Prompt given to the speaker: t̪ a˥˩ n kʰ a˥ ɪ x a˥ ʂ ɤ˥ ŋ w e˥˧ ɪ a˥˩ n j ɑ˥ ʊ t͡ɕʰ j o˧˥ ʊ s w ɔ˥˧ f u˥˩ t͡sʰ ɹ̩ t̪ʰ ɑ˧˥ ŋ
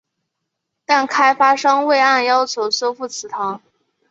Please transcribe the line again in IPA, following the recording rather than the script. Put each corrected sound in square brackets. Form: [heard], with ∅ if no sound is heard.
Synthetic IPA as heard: t̪ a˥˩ n kʰ a˥ ɪ [f] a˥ ʂ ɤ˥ ŋ w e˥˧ ɪ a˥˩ n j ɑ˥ ʊ t͡ɕʰ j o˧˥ ʊ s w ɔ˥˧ f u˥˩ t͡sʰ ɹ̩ t̪ʰ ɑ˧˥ ŋ